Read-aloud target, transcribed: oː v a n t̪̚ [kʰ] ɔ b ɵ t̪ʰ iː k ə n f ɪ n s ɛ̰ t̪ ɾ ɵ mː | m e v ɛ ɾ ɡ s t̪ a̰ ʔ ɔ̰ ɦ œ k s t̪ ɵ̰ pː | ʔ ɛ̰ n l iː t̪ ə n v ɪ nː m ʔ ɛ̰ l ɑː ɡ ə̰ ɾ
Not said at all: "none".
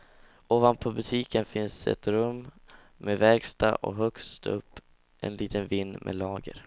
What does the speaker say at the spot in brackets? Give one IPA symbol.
pʰ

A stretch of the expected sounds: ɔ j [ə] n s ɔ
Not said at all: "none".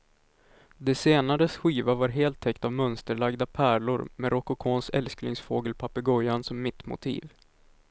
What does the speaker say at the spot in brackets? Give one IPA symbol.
a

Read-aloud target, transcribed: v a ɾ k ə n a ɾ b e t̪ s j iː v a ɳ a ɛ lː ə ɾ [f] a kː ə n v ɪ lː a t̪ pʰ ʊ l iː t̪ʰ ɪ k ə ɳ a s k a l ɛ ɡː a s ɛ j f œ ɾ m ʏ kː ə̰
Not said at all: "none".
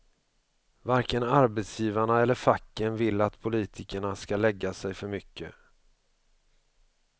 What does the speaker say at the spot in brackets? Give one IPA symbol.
f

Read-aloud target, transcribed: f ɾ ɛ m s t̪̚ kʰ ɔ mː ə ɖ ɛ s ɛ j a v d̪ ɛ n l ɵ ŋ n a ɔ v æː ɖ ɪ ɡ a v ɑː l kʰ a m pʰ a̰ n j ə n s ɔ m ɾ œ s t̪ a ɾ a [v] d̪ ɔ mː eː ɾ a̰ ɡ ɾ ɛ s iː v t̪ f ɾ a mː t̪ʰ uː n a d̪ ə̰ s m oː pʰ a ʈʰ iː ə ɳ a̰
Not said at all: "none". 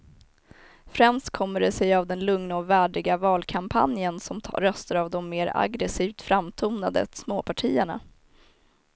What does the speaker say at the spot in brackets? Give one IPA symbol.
v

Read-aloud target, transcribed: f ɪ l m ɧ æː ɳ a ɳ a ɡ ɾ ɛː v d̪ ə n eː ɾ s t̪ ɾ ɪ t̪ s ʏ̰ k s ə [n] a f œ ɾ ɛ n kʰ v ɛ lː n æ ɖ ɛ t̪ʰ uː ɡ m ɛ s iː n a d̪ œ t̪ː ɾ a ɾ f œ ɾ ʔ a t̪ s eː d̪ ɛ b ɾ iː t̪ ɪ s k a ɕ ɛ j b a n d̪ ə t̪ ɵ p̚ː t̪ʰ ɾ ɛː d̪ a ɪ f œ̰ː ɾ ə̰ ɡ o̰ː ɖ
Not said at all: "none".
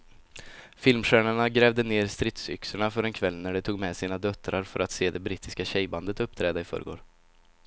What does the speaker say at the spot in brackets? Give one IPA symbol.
ɳ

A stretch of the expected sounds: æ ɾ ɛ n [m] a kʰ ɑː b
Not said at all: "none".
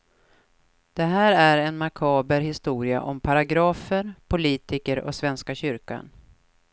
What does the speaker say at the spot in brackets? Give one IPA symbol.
m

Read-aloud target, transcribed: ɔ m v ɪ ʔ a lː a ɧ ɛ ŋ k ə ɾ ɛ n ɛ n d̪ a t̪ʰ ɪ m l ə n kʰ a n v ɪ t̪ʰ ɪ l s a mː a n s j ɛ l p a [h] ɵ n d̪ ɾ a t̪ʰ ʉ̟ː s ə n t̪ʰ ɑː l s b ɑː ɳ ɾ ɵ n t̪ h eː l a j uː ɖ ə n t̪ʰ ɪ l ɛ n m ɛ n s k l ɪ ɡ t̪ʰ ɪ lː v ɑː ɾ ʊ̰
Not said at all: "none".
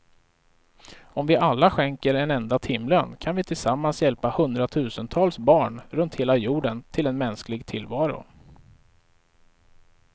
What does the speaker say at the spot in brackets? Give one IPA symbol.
h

